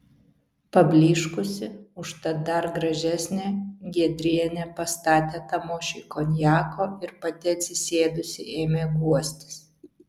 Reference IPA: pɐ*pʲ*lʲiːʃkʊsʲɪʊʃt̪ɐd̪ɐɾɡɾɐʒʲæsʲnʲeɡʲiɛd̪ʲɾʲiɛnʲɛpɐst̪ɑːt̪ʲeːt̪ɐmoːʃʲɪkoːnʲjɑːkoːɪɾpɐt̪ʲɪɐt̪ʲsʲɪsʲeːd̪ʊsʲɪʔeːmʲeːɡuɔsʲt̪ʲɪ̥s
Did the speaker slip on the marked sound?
yes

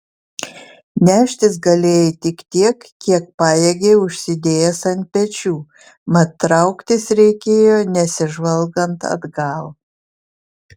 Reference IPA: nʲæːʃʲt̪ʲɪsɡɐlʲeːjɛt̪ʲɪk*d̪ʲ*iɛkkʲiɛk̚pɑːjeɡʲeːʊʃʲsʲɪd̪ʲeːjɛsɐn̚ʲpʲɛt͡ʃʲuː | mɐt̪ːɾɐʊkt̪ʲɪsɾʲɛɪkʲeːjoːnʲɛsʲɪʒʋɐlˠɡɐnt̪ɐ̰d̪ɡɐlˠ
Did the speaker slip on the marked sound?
yes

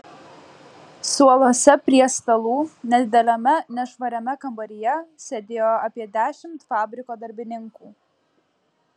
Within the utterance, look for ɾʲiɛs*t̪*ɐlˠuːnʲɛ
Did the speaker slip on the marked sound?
no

